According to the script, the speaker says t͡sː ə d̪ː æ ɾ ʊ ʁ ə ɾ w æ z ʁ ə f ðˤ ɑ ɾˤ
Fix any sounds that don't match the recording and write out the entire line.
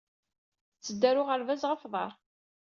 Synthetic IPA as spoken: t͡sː ə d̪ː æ ɾ ʊ ʁ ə ɾ v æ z ʁ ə f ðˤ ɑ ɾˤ